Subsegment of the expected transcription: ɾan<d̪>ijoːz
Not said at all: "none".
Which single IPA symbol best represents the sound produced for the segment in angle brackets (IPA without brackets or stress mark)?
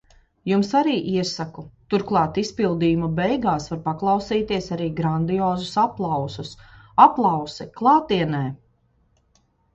d̪